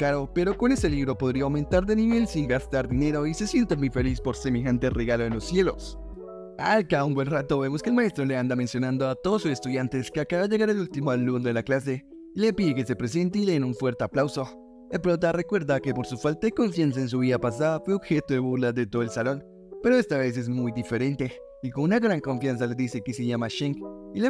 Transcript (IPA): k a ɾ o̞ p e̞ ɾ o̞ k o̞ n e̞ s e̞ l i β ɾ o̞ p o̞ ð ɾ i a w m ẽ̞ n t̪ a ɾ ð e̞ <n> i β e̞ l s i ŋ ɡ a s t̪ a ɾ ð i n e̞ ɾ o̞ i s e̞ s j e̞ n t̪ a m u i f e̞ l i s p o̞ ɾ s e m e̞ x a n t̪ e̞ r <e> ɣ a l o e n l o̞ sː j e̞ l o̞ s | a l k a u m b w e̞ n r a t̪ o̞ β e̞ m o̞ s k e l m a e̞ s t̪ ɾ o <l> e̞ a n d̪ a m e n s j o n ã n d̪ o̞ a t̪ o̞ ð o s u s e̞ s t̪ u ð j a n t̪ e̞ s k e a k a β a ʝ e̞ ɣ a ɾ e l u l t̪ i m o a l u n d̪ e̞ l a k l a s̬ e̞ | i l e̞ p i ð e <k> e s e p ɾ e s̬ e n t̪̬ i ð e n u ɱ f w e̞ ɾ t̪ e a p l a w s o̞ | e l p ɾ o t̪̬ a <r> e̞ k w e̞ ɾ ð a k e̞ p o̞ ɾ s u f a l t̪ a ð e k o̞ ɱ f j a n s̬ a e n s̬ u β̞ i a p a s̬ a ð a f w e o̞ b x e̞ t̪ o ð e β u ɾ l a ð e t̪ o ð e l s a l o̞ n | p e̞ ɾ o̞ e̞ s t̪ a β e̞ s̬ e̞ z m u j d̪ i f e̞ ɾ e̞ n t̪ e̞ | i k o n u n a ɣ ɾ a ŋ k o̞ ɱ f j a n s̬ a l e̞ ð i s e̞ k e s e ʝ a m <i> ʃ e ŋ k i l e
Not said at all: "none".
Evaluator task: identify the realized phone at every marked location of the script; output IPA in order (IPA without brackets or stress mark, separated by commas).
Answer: n, e, l, k, r, a